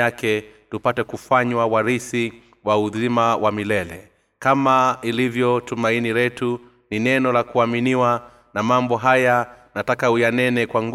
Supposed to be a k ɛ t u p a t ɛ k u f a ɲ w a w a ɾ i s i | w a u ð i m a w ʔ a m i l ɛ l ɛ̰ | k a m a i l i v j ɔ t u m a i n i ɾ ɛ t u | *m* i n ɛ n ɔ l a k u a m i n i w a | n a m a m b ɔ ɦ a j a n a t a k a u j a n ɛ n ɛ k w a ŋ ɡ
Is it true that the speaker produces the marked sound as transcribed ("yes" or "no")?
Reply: no